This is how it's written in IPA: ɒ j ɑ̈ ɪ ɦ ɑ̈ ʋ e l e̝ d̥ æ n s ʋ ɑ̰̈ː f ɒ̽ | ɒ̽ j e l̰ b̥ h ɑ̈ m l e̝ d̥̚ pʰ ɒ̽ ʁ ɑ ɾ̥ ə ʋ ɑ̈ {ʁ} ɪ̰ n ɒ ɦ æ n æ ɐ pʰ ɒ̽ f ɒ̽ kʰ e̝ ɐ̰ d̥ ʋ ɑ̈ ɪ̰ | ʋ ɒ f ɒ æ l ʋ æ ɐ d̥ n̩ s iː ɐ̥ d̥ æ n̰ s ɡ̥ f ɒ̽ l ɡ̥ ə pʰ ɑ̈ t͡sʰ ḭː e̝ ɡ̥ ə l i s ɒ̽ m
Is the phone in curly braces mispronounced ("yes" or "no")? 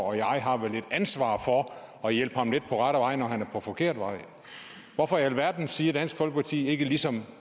yes